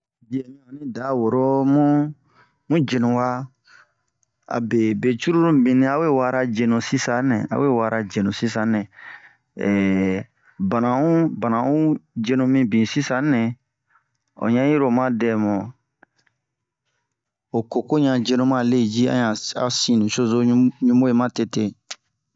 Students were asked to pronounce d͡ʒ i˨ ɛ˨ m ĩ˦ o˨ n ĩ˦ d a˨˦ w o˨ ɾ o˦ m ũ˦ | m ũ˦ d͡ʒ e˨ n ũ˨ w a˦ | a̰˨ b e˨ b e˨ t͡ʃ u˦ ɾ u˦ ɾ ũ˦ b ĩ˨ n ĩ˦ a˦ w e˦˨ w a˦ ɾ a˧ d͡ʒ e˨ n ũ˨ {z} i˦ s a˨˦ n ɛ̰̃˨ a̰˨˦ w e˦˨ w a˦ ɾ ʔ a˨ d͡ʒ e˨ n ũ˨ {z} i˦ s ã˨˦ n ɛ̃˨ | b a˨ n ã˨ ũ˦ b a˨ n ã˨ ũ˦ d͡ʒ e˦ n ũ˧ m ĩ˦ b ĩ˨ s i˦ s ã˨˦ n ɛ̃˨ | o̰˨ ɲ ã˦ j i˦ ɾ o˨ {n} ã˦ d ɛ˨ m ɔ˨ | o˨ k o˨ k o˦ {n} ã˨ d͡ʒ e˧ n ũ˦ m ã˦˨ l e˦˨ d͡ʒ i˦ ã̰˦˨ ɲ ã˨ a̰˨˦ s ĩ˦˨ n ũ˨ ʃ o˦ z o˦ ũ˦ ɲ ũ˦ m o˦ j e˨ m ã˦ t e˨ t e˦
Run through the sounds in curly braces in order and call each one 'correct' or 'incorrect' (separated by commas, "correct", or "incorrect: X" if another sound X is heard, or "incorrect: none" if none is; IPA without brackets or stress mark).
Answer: incorrect: s, incorrect: s, incorrect: m, incorrect: ɲ